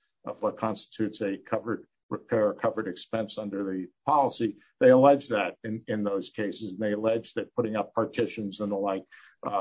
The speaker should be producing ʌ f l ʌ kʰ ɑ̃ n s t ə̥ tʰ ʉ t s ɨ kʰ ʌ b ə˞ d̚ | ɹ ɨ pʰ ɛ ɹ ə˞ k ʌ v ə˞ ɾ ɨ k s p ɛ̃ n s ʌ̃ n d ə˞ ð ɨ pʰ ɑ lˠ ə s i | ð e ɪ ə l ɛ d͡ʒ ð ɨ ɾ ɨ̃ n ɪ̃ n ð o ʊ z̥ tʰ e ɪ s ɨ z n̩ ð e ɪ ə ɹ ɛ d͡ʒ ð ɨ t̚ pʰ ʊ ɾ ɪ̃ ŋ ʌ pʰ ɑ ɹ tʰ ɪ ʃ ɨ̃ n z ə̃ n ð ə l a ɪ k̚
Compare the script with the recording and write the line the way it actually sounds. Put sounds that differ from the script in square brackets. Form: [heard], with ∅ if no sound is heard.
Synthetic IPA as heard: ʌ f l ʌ kʰ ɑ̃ n s t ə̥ tʰ ʉ t s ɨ kʰ ʌ [v] ə˞ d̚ | ɹ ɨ pʰ ɛ ɹ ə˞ [kʰ] ʌ v ə˞ ɾ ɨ k s p ɛ̃ n s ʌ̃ n d ə˞ ð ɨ pʰ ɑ lˠ ə s i | ð e ɪ ə l ɛ d͡ʒ ð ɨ ɾ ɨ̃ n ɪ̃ n ð o ʊ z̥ [kʰ] e ɪ s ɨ z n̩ ð e ɪ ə [l] ɛ d͡ʒ ð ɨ t̚ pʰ ʊ ɾ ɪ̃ ŋ ʌ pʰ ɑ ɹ tʰ ɪ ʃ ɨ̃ n z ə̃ n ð ə l a ɪ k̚